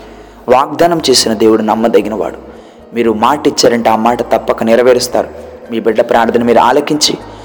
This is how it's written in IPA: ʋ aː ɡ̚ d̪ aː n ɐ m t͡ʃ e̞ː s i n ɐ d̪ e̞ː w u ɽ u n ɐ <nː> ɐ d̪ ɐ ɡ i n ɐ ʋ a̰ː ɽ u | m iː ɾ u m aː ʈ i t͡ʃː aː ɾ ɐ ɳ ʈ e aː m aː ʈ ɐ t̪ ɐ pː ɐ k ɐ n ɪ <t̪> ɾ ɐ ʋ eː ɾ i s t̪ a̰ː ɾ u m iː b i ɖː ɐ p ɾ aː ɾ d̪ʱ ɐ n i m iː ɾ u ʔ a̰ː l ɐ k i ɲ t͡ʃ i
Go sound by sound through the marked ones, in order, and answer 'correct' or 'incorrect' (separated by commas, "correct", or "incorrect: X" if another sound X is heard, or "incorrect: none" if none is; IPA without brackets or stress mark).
incorrect: mː, incorrect: none